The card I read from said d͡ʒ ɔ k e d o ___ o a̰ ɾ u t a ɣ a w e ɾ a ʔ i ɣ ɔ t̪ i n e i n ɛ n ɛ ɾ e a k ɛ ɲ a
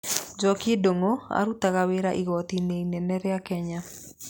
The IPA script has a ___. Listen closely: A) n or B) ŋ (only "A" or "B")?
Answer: B